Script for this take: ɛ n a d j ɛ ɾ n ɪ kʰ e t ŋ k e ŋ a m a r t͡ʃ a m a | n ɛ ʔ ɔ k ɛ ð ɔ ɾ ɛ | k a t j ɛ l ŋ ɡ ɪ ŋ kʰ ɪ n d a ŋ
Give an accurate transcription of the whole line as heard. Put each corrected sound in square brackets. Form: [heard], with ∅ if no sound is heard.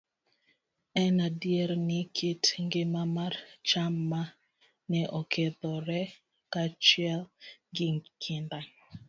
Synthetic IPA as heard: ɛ n a d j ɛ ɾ n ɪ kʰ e t ŋ [ɡ] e [m] a m a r t͡ʃ a m a | n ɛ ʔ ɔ k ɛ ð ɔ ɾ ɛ | k a [t͡ʃ] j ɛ l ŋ ɡ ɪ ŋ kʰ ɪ n d a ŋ